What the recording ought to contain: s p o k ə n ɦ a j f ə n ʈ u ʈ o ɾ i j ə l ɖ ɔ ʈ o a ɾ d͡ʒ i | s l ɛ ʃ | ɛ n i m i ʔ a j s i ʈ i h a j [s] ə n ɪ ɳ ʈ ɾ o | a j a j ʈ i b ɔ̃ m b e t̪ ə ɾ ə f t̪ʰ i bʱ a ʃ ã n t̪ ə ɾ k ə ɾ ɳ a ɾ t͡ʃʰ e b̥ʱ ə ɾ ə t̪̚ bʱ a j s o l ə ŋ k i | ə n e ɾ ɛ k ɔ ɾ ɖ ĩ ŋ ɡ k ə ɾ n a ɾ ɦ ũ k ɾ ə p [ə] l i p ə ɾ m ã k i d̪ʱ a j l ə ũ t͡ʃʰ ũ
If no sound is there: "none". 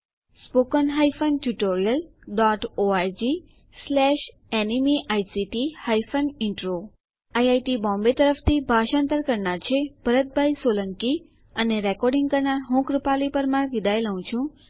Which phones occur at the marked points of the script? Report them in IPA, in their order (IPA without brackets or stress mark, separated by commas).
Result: f, a